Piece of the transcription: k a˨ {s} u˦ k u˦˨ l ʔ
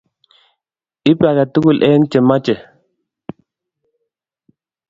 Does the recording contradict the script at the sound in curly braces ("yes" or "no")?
yes